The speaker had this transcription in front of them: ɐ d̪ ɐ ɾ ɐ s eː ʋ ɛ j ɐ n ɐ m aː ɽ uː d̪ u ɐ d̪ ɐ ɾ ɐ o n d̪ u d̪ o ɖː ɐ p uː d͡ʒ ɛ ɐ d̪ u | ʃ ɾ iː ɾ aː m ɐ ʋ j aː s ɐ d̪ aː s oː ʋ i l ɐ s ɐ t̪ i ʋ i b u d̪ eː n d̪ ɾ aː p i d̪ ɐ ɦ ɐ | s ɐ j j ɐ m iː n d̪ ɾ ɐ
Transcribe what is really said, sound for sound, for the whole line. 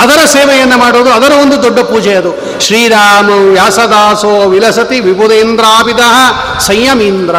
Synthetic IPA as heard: ɐ d̪ ɐ ɾ ɐ s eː ʋ ɛ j ɐ nː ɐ m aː ɽ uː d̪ u ɐ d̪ ɐ ɾ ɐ o n d̪ u d̪ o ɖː ɐ p uː d͡ʒ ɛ ɐ d̪ u | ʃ ɾ iː ɾ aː m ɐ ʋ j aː s ɐ d̪ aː s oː ʋ i l ɐ s ɐ t̪ i ʋ i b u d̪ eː n d̪ ɾ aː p i d̪ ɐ ɦ ɐ | s ɐ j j ɐ m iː n d̪ ɾ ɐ